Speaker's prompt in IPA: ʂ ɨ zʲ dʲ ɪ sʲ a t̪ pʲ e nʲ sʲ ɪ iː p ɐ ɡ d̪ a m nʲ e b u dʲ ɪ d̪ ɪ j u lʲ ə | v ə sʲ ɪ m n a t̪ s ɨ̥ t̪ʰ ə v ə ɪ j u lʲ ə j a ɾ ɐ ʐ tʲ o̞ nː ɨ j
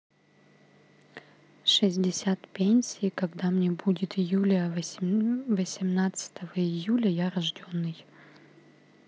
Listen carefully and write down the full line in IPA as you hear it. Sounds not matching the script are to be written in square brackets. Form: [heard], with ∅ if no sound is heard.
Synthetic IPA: ʂ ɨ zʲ dʲ ɪ sʲ a t̪ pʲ e nʲ sʲ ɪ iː [k] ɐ ɡ d̪ a m nʲ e b u dʲ ɪ [t̪] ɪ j u lʲ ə | v ə sʲ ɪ m n a t̪ s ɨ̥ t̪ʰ ə v ə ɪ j u lʲ ə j a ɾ ɐ ʐ [dʲ] o̞ nː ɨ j